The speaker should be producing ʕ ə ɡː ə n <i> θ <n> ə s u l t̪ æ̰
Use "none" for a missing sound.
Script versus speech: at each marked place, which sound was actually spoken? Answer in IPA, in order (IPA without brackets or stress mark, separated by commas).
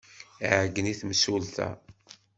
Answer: i, m